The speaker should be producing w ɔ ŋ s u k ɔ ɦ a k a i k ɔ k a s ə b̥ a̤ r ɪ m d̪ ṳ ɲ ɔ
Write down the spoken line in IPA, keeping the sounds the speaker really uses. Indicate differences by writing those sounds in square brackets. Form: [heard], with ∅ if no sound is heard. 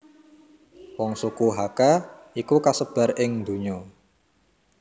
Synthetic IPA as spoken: w ɔ ŋ s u k [u] ɦ a k a i k [u] k a s ə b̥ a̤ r ɪ [ŋ] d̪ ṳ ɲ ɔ